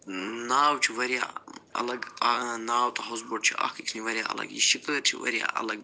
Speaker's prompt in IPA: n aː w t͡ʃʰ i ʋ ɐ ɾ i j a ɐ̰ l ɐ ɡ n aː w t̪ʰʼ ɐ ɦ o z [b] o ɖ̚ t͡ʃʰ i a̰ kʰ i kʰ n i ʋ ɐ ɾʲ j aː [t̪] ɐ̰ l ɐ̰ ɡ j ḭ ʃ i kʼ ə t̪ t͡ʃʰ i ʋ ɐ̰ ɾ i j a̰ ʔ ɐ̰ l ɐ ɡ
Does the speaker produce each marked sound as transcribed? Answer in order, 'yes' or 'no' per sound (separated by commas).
yes, no